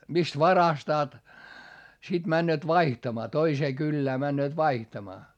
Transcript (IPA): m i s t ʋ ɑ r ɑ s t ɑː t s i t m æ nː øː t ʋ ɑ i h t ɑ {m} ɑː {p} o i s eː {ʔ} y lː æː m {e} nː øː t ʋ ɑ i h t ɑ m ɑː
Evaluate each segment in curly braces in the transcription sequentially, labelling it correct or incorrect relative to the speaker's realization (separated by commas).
correct, incorrect, incorrect, incorrect